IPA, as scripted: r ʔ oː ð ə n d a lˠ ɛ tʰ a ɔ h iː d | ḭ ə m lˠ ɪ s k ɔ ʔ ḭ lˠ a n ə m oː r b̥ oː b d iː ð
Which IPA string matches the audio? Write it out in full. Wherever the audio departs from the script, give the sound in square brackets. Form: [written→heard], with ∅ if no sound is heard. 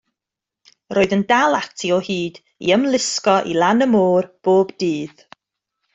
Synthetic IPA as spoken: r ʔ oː ð ə n d a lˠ [ɛ→a] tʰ [a→i] ɔ h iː d | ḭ ə m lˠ ɪ s k ɔ ʔ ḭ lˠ a n ə m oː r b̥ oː b d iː ð